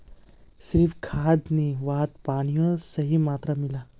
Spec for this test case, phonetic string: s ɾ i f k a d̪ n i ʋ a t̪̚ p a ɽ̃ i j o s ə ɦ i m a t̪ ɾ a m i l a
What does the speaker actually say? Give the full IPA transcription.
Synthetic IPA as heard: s ɾ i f kʰ a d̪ n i ʋ a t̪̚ p a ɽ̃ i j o s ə ɦ i m a t̪ ɾ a m i l a

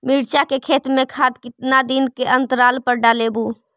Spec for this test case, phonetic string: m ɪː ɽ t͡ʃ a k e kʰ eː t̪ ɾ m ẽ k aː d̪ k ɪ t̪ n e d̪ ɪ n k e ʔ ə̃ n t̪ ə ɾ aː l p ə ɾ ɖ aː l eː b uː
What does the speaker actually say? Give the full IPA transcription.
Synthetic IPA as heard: m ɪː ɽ t͡ʃ a k e kʰ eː t̪ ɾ m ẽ kʰ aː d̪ k ɪ t̪ n a d̪ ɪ n k e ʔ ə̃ n t̪ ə ɾ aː l p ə ɾ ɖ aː l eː b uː

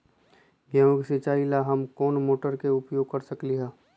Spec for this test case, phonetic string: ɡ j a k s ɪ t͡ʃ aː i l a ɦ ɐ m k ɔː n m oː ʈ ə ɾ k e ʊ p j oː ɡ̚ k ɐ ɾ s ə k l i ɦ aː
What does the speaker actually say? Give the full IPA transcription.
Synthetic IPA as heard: ɡ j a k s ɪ t͡ʃ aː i l a ɦ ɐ m k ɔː n m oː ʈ ə ɾ k e ʊ p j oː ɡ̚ k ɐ ɾ s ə k l i ɦ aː

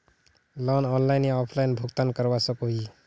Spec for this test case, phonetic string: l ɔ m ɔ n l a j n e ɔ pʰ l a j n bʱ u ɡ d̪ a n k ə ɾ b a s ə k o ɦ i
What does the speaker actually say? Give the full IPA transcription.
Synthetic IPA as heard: l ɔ n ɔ n l a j n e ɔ pʰ l a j n bʱ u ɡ t̪ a n k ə ɾ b a s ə k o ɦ i

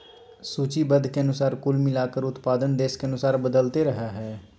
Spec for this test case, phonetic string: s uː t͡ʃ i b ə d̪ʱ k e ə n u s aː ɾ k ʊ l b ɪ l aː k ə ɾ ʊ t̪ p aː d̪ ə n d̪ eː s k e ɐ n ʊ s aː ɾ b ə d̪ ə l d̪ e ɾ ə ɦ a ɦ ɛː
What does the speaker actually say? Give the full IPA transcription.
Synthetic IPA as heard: s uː t͡ʃ i b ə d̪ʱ k e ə n ʊ s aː ɾ k ʊ l m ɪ l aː k ə ɾ ʊ t̪ p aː d̪ ə n d̪ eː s k e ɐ n ʊ s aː ɾ b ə d̪ ə l t̪ e ɾ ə ɦ a ɦ ɛː

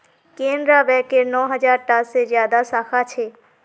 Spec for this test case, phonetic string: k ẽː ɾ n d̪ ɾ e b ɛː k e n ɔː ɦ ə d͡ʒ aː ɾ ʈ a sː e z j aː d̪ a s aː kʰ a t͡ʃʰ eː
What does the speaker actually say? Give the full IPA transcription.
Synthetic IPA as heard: k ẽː n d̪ ɾ a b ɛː k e n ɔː ɦ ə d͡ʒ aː ɾ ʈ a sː e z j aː d̪ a s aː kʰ a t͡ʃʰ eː

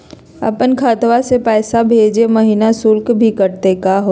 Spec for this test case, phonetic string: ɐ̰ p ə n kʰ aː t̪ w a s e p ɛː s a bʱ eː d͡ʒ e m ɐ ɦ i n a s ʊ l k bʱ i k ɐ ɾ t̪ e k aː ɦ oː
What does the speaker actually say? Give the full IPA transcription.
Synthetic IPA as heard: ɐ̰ p ə n kʰ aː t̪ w a s e p ɛː s a bʱ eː d͡ʒ e m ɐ ɦ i n a s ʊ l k bʱ i k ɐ ɾ t̪ e k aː ɦ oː

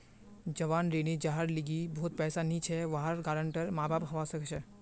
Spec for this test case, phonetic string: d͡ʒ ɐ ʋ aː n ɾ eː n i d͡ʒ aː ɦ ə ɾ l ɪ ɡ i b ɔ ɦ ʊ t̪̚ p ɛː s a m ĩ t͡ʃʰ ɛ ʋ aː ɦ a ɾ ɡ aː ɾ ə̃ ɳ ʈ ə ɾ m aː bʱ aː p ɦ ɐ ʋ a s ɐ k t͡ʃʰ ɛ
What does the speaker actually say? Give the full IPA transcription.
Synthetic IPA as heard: d͡ʒ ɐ ʋ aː n ɾ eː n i d͡ʒ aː ɦ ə ɾ l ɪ ɡ i b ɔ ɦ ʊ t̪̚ p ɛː s a n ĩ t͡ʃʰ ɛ ʋ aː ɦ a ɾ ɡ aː ɾ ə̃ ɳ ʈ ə ɾ m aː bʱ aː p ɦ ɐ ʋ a s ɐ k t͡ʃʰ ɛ

